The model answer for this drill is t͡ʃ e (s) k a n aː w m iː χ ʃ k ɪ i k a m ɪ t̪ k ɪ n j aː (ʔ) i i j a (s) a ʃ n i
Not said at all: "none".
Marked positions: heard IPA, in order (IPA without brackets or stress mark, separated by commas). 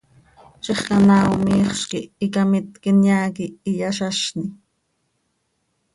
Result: χ, k, ʃ